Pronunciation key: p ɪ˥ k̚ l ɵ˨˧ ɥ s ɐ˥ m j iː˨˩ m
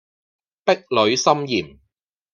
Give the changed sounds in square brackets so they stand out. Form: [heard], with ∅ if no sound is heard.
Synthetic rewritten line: p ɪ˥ k̚ l ɵ˨˧ ɥ s ɐ˥ m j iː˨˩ m